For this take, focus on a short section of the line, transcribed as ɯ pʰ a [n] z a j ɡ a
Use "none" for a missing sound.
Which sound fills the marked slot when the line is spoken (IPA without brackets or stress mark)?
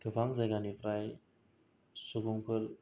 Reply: ŋ